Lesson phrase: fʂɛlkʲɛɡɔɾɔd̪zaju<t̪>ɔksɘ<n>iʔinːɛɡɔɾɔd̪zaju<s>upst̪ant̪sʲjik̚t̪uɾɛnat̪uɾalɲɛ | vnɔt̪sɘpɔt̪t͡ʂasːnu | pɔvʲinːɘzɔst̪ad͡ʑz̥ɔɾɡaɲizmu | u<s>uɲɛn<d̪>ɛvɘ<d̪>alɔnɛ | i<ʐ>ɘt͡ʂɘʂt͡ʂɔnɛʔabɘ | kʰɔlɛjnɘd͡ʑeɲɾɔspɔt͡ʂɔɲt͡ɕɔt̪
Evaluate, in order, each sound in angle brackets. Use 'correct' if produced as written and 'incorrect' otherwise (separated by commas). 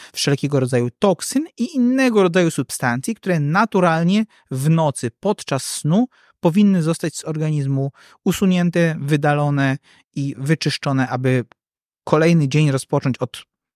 correct, correct, correct, correct, incorrect, correct, incorrect